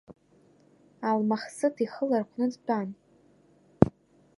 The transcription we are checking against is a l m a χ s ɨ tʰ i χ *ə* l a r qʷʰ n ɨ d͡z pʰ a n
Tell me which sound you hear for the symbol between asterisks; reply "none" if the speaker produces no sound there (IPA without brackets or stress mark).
ə